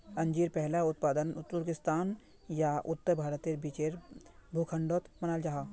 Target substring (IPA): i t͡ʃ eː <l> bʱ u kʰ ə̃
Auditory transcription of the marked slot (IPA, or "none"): ɾ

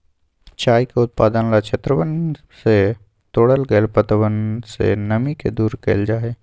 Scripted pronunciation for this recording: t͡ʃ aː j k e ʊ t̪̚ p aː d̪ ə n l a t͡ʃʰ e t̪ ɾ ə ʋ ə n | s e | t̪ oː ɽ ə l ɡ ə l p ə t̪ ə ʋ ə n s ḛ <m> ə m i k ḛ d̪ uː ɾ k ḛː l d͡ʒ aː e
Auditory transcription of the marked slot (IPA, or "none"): n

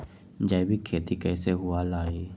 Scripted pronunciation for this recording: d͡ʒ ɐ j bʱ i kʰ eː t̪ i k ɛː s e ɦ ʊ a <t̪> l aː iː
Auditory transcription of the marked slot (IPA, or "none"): none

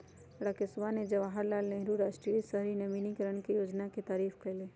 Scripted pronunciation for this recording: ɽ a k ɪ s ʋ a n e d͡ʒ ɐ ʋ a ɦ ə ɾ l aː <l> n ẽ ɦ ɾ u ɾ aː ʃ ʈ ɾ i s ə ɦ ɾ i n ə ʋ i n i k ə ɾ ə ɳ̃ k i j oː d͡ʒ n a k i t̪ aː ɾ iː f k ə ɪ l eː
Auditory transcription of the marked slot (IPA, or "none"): l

